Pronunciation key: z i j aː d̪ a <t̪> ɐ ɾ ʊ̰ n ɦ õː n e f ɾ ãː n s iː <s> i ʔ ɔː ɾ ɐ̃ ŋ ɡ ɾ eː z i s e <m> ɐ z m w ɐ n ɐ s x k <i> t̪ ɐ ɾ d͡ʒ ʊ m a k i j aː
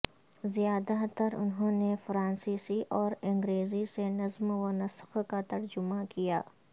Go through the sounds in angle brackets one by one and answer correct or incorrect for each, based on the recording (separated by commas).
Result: correct, correct, incorrect, incorrect